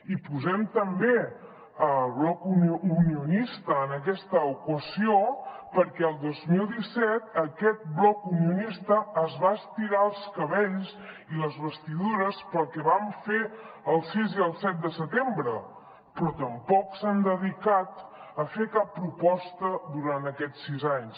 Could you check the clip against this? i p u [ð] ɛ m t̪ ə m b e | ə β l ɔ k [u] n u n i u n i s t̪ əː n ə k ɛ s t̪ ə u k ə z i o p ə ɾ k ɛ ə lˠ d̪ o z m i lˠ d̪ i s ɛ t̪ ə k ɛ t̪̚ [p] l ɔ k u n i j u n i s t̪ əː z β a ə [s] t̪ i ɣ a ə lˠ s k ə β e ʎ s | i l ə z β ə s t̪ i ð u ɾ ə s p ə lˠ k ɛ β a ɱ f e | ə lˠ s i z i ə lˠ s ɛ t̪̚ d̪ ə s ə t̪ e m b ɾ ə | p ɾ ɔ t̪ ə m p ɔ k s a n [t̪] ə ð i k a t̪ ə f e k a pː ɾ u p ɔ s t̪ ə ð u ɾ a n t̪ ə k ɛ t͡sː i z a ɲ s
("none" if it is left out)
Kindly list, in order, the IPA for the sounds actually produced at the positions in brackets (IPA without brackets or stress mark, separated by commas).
z, u, b, s, d̪